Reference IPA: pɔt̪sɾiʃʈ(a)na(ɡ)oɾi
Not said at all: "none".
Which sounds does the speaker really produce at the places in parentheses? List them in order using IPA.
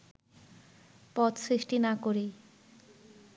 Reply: i, k

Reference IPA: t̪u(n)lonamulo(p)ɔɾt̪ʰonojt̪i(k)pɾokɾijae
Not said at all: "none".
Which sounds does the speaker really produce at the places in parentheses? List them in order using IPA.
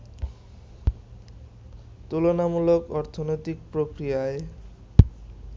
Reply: none, k, k

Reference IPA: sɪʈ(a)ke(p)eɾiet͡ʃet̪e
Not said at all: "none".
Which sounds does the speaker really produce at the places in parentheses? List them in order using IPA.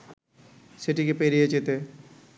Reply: i, p

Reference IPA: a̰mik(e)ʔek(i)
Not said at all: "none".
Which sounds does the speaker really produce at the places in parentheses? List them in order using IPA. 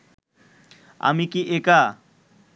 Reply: i, a

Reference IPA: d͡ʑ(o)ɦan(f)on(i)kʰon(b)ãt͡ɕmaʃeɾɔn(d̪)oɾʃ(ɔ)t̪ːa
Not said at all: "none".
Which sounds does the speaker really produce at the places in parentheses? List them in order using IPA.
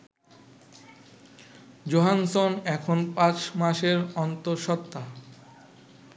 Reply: o, s, ɛ, p, t̪, ɔ

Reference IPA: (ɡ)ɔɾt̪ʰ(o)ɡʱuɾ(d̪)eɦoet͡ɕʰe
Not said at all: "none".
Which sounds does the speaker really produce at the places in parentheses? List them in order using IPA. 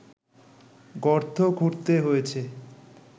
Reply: ɡ, o, t̪

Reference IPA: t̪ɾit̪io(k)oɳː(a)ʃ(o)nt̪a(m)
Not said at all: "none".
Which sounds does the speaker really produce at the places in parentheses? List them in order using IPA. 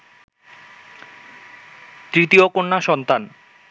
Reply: k, a, ɔ, n

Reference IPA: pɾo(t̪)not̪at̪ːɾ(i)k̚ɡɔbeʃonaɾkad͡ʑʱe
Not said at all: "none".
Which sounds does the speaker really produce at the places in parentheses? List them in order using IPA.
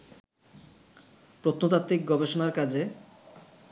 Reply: t̪, i

